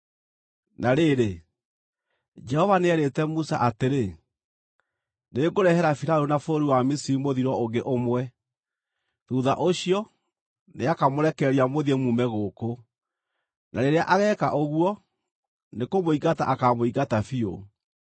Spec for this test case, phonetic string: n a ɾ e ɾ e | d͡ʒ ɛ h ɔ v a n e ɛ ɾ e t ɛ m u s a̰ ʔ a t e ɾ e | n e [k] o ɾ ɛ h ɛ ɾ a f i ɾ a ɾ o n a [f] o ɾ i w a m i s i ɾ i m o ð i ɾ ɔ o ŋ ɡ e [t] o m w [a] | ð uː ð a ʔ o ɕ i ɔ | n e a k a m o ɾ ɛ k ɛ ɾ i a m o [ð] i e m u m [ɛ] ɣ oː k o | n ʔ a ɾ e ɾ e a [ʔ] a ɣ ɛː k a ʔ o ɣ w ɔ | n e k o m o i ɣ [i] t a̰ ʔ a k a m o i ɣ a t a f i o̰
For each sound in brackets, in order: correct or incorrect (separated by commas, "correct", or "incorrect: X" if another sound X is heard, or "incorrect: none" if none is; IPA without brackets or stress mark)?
incorrect: ɡ, correct, incorrect: ʔ, incorrect: ɛ, correct, correct, correct, incorrect: a